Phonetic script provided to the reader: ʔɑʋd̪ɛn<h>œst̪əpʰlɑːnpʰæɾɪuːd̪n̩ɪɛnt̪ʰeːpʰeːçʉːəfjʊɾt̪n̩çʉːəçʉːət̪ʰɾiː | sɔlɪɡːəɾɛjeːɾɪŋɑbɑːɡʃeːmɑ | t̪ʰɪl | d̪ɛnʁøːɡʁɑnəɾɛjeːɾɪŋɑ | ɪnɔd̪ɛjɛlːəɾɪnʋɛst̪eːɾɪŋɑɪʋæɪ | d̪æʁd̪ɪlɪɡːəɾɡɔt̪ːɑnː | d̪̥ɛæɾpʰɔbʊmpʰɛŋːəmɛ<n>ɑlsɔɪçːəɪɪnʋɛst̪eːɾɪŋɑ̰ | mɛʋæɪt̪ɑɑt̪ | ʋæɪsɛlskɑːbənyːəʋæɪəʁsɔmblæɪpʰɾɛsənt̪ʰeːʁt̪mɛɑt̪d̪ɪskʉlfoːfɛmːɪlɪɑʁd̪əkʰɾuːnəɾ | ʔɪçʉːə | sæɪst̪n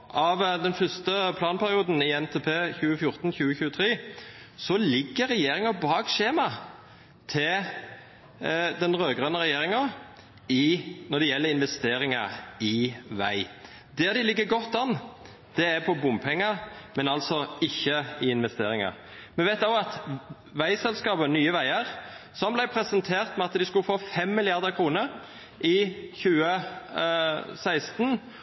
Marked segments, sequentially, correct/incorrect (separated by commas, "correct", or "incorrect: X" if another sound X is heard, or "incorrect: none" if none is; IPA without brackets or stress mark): incorrect: f, correct